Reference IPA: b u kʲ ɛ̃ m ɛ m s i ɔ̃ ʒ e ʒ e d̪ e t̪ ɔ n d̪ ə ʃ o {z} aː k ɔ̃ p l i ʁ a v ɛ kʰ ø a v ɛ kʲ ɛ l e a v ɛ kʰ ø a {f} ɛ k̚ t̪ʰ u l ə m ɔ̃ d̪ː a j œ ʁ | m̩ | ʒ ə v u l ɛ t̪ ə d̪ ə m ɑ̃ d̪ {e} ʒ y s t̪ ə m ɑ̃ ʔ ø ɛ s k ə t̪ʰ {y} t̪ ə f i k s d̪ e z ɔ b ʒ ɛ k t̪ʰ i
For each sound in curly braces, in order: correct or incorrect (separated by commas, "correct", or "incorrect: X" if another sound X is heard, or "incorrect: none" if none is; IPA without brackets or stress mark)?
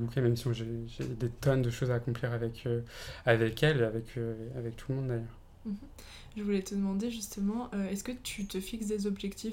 correct, incorrect: v, correct, correct